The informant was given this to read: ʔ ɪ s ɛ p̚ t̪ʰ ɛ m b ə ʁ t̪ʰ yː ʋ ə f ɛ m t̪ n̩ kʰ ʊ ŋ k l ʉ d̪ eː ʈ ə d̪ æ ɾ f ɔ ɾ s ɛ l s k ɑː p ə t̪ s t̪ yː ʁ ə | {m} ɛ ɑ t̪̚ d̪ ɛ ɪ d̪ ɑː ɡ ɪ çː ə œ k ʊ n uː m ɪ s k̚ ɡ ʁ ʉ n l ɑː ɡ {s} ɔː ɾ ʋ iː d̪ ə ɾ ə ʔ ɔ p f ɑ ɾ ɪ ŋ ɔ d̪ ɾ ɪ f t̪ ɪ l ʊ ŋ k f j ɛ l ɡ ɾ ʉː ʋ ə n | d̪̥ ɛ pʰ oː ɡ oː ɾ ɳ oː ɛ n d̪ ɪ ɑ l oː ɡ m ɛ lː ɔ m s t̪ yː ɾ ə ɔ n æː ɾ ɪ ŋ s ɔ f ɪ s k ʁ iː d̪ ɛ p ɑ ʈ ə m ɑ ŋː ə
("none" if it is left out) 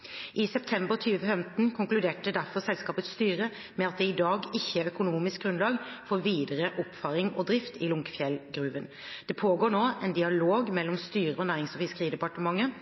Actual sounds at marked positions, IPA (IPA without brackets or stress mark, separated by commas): m, f